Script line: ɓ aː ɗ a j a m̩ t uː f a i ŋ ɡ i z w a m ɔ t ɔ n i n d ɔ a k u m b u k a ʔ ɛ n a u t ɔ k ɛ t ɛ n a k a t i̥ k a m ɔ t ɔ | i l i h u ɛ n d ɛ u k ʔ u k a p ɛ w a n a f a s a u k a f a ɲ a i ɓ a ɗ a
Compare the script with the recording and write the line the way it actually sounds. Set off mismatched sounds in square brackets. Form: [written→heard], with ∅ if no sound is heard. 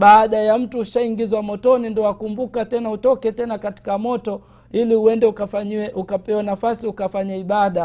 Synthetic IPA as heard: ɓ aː ɗ a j a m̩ t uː [f→ʃ] a i ŋ ɡ i z w a m ɔ t ɔ n i n d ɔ a k u m b u k a [ʔ→t] ɛ n a u t ɔ k ɛ t ɛ n a k a t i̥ k a m ɔ t ɔ | i l i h u ɛ n d ɛ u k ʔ u k a p ɛ w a n a f a s [a→i] u k a f a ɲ a i ɓ a ɗ a